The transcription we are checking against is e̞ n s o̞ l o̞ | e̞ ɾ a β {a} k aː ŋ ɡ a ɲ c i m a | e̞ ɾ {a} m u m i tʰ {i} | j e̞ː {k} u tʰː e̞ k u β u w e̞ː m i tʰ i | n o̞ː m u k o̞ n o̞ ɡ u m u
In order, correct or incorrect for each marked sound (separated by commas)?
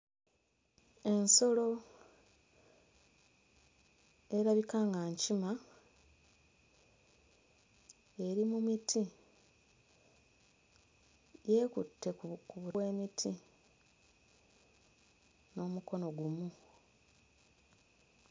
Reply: incorrect, incorrect, correct, correct